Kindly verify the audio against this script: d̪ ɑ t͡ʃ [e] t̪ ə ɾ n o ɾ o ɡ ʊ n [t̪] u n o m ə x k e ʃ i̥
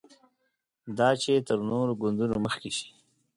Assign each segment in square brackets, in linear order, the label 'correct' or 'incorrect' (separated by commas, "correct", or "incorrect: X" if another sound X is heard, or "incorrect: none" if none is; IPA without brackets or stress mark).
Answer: correct, incorrect: d̪